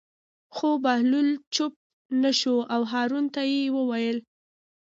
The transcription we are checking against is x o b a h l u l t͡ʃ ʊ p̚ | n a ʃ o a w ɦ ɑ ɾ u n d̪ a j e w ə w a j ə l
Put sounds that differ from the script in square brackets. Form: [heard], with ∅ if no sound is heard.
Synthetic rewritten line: x o b a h l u l t͡ʃ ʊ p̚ | n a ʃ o a w ɦ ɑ ɾ u n [t̪] a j e w ə w a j ə l